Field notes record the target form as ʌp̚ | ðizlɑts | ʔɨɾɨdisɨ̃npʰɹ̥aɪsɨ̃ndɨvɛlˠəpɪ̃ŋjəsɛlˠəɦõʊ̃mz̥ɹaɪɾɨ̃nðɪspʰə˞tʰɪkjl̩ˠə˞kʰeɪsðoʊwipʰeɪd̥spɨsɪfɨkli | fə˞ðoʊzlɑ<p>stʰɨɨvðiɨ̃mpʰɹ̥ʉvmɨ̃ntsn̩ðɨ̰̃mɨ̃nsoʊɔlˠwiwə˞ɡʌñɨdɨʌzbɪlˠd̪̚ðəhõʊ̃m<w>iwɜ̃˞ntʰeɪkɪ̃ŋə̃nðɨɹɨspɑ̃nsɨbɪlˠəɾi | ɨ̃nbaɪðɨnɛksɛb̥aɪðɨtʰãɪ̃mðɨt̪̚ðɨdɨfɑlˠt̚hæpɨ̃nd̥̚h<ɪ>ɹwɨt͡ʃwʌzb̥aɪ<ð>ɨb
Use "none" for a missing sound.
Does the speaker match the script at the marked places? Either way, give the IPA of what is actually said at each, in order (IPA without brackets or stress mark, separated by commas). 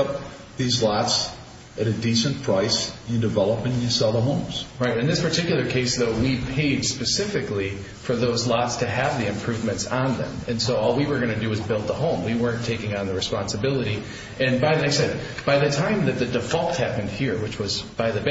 t, w, i, ð